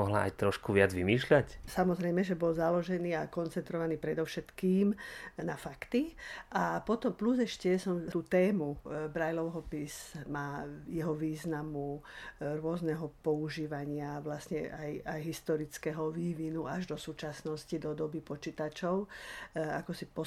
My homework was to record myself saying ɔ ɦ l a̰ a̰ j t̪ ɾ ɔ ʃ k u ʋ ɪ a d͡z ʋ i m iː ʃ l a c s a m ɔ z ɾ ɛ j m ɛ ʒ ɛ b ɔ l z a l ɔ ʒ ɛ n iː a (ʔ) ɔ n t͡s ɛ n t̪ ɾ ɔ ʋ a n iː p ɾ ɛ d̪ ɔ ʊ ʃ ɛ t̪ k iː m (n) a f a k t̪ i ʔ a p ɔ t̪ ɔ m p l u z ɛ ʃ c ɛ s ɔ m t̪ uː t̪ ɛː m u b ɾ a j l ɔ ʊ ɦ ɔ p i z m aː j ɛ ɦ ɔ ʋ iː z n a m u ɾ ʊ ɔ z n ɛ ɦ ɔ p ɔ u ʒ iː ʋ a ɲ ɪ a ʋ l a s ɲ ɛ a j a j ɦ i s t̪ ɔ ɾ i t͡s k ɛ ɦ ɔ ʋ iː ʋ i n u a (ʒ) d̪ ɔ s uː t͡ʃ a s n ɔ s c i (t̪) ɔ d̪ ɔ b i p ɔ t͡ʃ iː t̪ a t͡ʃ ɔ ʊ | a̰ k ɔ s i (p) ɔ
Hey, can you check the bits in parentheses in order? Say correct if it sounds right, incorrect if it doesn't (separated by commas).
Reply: incorrect, correct, correct, incorrect, correct